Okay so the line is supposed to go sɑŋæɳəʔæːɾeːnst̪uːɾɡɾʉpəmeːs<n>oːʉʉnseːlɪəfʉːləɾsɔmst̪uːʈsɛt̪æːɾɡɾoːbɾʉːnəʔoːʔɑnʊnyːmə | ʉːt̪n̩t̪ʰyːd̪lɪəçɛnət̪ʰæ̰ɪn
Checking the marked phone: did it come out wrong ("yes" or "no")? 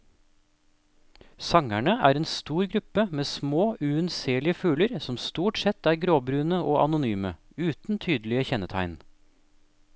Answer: yes